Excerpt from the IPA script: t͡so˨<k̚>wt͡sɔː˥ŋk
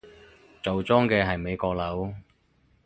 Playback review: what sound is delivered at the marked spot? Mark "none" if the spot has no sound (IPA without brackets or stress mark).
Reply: none